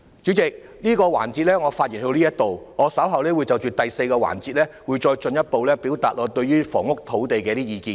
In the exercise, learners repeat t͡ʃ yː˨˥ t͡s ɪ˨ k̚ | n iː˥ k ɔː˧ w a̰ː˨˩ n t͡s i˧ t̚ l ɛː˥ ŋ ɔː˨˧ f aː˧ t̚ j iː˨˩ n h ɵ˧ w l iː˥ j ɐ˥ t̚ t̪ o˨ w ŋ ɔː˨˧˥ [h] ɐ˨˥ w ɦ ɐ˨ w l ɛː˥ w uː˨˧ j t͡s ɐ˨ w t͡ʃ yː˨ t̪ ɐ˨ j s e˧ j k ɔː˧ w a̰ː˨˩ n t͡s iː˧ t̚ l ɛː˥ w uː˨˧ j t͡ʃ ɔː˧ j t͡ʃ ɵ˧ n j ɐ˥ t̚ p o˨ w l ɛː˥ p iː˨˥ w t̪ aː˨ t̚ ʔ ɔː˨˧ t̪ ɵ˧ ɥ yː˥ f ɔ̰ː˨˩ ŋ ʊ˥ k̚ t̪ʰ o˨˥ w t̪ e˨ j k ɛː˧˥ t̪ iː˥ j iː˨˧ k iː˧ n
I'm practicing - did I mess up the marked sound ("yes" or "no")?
yes